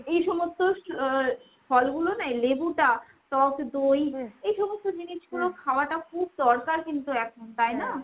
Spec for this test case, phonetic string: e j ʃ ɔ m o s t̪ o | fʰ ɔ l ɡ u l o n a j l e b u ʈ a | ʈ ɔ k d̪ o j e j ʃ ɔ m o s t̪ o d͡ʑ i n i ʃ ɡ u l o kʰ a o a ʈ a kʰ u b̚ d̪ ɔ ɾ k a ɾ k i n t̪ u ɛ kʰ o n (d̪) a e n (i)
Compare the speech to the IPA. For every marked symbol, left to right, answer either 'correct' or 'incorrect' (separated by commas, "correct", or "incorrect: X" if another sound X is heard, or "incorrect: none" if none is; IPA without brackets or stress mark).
incorrect: t̪, incorrect: a